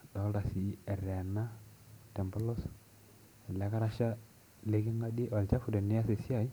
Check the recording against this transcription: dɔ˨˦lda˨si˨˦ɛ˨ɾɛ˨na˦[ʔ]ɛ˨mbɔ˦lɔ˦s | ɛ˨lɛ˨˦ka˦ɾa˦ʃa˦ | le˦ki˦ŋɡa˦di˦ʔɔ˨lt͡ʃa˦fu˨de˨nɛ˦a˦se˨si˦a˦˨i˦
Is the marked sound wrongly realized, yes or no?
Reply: yes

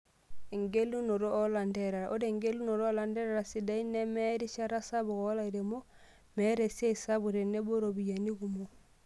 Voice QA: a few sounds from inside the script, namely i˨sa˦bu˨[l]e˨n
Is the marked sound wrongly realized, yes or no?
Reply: yes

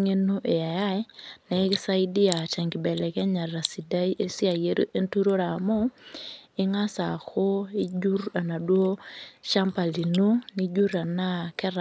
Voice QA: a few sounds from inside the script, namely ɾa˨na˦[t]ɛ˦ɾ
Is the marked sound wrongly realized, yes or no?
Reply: yes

